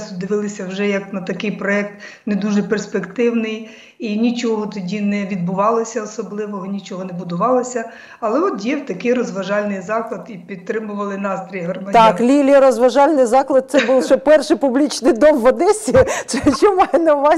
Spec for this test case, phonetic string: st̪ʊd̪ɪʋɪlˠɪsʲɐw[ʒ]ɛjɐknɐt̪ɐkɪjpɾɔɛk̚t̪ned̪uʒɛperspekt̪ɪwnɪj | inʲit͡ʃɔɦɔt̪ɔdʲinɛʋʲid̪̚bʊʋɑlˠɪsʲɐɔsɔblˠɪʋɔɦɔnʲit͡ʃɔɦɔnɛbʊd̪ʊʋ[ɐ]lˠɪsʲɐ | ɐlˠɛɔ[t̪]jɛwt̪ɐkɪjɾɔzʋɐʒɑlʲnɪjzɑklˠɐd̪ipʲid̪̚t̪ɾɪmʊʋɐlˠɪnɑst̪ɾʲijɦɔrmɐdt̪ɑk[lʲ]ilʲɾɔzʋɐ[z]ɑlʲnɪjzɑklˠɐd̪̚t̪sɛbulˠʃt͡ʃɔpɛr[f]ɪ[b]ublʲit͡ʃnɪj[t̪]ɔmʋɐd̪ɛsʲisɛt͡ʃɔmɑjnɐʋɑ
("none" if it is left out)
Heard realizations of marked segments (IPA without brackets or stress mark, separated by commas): ʒ, ɑ, t̪, lʲ, ʒ, ʃ, p, d̪